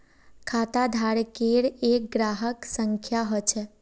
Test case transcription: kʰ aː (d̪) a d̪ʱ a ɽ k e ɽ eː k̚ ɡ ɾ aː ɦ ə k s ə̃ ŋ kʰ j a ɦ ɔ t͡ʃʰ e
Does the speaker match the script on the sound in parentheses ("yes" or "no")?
no